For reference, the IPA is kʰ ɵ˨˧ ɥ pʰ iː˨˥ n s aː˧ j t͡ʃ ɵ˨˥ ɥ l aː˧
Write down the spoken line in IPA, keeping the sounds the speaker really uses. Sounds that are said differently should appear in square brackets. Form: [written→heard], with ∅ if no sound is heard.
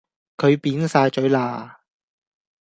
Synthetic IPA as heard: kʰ ɵ˨˧ ɥ [pʰ→p] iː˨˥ n s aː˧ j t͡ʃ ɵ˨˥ ɥ l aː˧